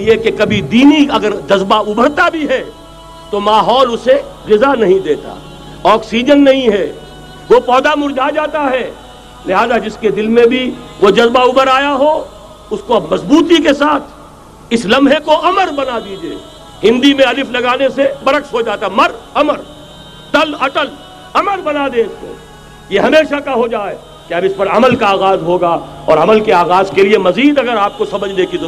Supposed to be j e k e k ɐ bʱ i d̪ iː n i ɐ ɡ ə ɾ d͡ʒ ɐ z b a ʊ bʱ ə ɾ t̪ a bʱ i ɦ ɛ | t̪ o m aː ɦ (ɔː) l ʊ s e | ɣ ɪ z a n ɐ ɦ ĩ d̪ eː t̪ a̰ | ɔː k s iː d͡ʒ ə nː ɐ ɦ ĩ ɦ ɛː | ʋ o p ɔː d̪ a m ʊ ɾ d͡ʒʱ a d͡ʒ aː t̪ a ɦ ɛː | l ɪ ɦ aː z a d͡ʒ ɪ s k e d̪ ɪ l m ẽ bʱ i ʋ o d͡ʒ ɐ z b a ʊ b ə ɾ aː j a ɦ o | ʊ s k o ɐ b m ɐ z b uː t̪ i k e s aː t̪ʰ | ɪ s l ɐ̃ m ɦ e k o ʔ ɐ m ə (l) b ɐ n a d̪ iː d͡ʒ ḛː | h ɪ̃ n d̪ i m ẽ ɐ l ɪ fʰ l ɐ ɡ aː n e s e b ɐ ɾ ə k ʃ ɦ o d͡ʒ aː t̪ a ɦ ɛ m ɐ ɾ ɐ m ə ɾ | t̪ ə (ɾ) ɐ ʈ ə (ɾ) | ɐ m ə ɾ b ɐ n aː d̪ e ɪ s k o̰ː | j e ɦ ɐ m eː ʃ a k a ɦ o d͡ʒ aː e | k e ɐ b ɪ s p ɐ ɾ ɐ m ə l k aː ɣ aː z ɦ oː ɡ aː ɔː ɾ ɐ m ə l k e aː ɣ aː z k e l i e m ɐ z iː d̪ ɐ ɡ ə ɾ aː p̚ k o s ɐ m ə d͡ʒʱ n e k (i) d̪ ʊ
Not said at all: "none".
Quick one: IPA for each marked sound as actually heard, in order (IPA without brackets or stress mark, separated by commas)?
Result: ɔː, ɾ, l, l, i